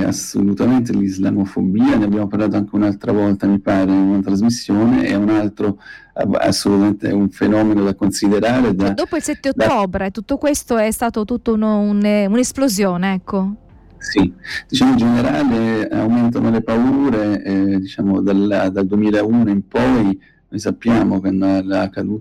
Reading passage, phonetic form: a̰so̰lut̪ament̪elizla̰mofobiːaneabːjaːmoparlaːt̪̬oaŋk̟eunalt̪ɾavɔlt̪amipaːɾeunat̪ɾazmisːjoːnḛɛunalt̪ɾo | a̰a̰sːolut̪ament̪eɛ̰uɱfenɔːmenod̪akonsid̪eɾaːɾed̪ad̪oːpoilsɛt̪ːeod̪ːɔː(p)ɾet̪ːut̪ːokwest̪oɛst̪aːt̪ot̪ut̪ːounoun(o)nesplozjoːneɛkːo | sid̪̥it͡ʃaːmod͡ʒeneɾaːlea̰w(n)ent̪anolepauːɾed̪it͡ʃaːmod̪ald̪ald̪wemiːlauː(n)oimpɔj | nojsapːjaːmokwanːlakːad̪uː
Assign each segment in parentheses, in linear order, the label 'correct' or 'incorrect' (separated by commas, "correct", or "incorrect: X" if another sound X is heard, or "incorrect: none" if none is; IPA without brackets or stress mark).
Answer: incorrect: b, incorrect: u, incorrect: m, correct